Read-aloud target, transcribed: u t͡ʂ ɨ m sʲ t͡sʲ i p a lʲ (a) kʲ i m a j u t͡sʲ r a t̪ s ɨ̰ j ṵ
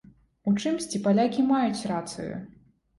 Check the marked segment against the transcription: correct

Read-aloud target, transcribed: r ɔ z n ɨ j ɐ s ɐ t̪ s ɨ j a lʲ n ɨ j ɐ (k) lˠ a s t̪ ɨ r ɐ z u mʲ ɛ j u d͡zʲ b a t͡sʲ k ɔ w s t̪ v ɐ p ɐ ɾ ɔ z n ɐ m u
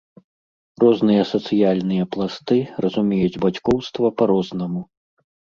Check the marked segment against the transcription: incorrect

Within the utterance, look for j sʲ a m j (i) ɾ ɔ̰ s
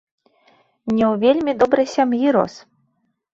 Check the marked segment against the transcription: correct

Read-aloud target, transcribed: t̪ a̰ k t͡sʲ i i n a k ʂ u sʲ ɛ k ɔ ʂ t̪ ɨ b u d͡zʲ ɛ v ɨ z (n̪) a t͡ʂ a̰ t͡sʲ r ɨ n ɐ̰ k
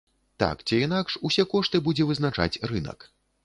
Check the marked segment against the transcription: correct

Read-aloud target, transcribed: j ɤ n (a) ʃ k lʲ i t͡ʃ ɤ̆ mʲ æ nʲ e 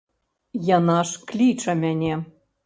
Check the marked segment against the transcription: incorrect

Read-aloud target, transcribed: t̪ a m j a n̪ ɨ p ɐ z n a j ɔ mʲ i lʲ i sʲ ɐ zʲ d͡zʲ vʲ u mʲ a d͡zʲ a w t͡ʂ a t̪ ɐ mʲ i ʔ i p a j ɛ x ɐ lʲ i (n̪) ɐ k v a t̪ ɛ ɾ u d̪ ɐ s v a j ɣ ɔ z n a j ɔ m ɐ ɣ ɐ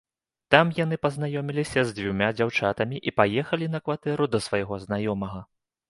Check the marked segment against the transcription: correct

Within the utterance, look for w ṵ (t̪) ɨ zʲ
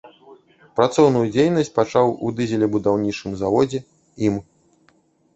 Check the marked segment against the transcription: incorrect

